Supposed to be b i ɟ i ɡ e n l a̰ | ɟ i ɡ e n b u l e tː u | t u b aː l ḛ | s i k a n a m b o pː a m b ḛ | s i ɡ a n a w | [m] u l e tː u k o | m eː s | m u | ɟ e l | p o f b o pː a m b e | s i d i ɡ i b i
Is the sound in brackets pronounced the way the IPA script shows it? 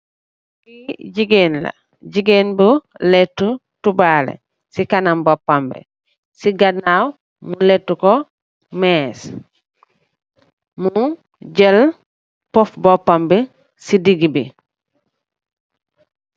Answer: yes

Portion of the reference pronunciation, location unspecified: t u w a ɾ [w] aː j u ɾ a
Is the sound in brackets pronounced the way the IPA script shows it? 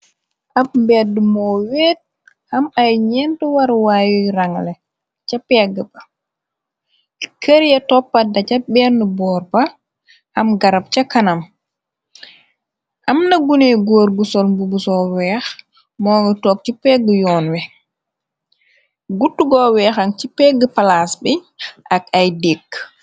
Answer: yes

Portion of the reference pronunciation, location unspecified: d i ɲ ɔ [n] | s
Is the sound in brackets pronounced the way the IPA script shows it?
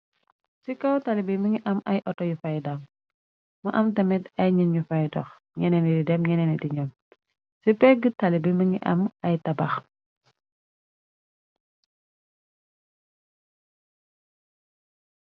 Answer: no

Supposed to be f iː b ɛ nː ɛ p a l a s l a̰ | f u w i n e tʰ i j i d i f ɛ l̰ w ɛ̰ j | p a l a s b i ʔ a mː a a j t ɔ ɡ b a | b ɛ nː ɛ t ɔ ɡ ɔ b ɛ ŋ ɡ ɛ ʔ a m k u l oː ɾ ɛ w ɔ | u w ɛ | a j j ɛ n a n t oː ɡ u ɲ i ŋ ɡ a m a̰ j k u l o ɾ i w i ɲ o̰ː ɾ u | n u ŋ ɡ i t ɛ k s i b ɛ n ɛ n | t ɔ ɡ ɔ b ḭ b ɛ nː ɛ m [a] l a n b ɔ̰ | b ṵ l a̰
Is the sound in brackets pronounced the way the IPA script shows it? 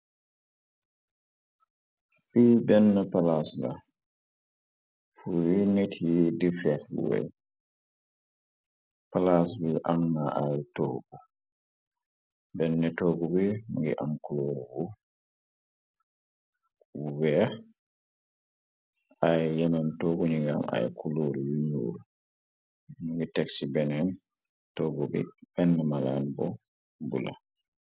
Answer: yes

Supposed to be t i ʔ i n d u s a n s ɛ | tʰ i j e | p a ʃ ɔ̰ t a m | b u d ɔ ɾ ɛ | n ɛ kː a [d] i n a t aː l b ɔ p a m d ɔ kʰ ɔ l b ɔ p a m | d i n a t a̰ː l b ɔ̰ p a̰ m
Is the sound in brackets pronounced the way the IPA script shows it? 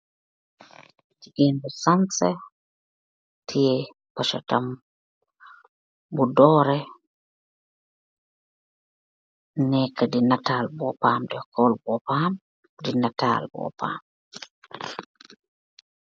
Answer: yes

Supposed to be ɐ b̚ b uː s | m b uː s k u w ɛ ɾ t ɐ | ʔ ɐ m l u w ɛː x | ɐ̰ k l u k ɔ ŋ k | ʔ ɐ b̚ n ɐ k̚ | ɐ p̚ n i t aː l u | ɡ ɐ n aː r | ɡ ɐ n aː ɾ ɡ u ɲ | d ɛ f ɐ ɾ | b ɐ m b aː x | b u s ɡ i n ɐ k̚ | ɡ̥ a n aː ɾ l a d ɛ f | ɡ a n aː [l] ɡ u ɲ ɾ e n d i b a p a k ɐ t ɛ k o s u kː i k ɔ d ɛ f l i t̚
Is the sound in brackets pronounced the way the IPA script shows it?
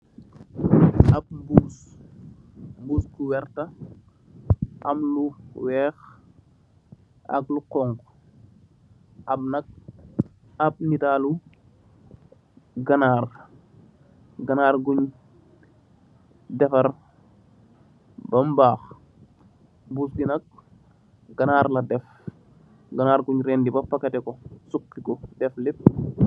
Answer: no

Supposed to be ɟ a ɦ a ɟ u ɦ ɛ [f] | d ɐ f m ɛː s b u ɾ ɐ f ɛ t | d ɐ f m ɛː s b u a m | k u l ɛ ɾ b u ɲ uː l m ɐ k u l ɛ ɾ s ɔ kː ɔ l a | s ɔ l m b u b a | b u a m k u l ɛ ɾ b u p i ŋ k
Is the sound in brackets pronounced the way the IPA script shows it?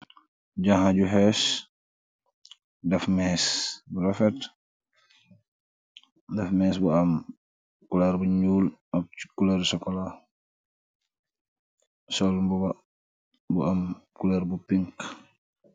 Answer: no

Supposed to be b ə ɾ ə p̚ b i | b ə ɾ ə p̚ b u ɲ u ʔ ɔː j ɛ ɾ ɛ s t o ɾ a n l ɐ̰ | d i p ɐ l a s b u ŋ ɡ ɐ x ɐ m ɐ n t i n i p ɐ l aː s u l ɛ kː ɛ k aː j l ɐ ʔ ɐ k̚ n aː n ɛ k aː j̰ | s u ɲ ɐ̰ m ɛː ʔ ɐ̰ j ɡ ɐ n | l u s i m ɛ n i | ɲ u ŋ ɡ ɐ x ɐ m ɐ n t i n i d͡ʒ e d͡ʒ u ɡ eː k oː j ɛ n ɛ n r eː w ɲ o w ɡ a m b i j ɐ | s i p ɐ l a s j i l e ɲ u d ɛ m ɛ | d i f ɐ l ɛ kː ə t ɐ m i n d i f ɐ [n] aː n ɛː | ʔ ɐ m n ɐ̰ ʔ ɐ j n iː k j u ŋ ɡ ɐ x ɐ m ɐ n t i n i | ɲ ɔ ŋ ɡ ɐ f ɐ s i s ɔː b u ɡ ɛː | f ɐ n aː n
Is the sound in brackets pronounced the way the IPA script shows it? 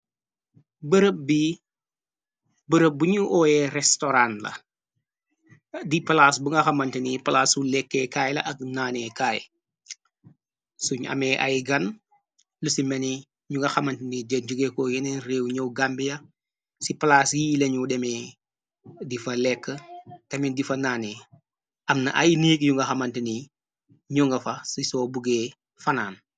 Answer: yes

